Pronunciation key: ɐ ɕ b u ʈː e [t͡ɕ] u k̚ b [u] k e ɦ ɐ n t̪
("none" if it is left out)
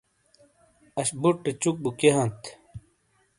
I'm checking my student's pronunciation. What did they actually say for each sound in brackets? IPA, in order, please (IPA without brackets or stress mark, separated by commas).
t͡ɕ, u